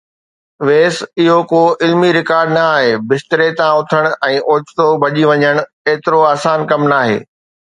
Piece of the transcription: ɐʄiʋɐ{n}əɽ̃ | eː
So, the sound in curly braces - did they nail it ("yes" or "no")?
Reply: no